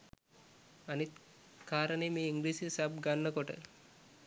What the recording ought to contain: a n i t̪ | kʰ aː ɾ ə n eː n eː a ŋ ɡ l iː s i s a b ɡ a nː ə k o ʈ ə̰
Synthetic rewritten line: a n i t̪ | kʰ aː ɾ ə n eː m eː i ŋ ɡ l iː s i s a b ɡ a nː ə k o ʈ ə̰